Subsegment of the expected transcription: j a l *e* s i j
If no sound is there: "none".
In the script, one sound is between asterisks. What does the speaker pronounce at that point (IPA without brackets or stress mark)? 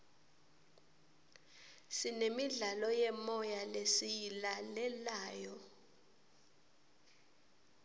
e